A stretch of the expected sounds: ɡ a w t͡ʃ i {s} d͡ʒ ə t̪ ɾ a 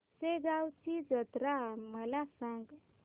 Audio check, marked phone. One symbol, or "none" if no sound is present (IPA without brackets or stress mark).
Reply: none